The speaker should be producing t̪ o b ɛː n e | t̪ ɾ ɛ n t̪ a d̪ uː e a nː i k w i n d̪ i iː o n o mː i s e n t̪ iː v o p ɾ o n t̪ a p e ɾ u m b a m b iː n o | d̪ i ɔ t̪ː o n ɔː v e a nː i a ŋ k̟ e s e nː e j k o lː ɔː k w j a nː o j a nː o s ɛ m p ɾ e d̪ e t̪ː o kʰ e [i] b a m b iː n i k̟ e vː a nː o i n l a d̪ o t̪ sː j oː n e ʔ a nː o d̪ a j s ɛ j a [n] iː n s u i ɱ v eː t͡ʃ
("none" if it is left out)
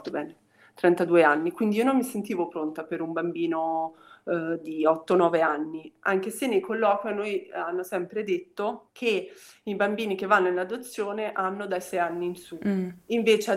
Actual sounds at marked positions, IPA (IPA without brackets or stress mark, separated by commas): i, nː